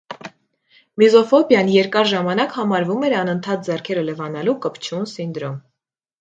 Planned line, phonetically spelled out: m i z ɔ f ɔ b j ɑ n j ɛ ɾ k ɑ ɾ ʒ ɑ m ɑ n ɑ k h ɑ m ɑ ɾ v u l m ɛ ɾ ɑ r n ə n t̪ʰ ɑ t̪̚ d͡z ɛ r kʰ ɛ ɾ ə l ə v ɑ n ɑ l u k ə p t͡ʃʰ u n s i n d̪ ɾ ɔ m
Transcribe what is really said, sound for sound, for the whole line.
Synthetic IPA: m i z ɔ f ɔ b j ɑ n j ɛ ɾ k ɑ ɾ ʒ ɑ m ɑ n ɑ k h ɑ m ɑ ɾ v u m ɛ ɾ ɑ n ə n t̪ʰ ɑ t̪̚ d͡z ɛ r kʰ ɛ ɾ ə l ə v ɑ n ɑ l u k ə p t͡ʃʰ u n s i n d̪ ɾ ɔ m